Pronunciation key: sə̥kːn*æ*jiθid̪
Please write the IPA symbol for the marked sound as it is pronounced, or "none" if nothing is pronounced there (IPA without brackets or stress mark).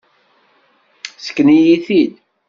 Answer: i